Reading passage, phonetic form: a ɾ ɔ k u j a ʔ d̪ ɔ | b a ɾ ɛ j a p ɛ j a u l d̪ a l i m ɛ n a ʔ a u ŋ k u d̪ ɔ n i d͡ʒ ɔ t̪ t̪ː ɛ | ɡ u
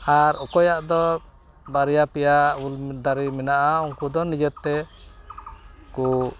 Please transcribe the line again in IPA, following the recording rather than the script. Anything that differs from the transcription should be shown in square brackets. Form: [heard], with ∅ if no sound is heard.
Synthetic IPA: a ɾ ɔ k [ɔ] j a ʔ d̪ ɔ | b a ɾ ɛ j a p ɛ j a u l d̪ a [ɾ] i m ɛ n a ʔ a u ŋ k u d̪ ɔ n i d͡ʒ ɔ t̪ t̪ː ɛ | [k] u